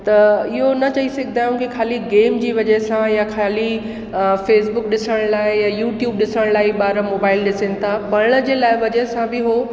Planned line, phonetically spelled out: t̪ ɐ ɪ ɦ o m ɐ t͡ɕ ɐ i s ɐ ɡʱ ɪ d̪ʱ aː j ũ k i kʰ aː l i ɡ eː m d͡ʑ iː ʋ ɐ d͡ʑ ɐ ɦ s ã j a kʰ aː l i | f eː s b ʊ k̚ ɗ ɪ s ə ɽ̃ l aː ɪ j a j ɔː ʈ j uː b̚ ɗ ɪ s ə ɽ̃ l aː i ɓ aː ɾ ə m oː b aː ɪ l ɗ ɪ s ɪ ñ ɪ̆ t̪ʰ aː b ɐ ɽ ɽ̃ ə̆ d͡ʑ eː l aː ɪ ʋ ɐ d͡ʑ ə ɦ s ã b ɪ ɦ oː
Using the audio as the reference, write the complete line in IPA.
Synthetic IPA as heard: t̪ ɐ ɪ ɦ o n ɐ t͡ɕ ɐ i s ɐ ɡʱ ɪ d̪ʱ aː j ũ k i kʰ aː l i ɡ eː m d͡ʑ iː ʋ ɐ d͡ʑ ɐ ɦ s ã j a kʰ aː l i | f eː s b ʊ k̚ ɗ ɪ s ə ɽ̃ l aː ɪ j a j uː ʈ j uː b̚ ɗ ɪ s ə ɽ̃ l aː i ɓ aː ɾ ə m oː b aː ɪ l ɗ ɪ s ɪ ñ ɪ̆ t̪ʰ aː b ɐ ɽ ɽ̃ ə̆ d͡ʑ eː l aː ɪ ʋ ɐ d͡ʑ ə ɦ s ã b ɪ ɦ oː